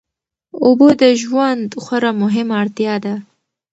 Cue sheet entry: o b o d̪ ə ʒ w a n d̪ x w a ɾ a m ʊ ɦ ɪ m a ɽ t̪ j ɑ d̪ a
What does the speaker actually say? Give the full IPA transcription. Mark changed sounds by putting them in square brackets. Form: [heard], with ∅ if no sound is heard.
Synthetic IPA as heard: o b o d̪ ə ʒ w a n d̪ x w a ɾ a m ʊ ɦ ɪ m a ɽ t̪ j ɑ d̪ a

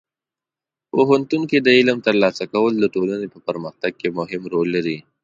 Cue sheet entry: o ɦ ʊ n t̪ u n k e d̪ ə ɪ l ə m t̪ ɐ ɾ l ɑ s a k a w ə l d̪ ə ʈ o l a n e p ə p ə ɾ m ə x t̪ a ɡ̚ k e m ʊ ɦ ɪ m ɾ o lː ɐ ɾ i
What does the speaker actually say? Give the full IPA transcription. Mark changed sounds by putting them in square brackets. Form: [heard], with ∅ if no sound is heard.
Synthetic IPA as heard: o ɦ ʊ n t̪ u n k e d̪ ə ɪ l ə m t̪ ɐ ɾ l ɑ s a k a w ə l d̪ ə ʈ o l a n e p ə p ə ɾ m ə x t̪ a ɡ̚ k e m ʊ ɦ ɪ m ɾ o lː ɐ ɾ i

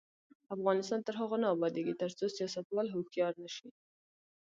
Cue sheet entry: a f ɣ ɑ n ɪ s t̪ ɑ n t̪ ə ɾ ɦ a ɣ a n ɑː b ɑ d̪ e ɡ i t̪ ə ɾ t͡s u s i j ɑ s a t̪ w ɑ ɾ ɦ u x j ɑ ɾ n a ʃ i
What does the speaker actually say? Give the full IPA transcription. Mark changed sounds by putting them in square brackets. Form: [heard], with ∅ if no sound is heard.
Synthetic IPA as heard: a f ɣ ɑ n ɪ s t̪ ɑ n t̪ ə ɾ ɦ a ɣ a n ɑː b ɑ d̪ e ɡ i t̪ ə ɾ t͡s [o] s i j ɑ s a t̪ w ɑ [l] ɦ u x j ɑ ɾ n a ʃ i

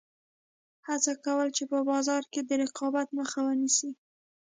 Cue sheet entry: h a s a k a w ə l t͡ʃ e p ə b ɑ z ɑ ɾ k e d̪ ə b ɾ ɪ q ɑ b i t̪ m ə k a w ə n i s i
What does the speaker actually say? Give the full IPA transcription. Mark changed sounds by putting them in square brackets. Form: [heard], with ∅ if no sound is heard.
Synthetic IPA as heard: h a [t͡s] a k a w ə l t͡ʃ e p ə b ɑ z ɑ ɾ k e d̪ ə [∅] ɾ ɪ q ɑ b [a] t̪ m ə [x] a w ə n i s i

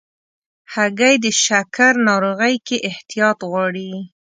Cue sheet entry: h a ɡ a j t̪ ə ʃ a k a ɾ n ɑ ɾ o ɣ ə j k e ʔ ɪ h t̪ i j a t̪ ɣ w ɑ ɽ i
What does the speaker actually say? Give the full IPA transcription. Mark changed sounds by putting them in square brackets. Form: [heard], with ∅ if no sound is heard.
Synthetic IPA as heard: h a ɡ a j [d̪] ə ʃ a k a ɾ n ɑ ɾ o ɣ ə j k e ʔ ɪ h t̪ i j [ɑ] t̪ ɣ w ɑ ɽ i

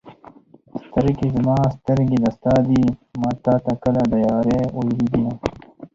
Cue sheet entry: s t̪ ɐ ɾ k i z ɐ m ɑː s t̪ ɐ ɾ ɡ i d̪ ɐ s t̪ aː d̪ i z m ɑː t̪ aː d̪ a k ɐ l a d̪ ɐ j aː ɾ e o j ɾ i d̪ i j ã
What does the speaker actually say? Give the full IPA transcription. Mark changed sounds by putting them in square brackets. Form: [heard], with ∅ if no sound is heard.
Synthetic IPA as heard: s t̪ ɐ ɾ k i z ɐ m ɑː s t̪ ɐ ɾ ɡ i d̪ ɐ s t̪ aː d̪ i [∅] m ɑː t̪ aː [t̪] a k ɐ l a d̪ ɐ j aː ɾ e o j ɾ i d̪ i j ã

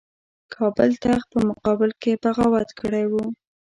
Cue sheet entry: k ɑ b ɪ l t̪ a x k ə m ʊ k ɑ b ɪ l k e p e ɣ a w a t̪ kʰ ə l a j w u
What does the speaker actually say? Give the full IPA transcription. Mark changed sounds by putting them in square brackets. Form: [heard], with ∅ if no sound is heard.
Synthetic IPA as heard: [kʰ] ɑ b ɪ l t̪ a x [p] ə m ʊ [q] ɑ b ɪ l k e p [a] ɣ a w a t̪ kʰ ə [ɽ] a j w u

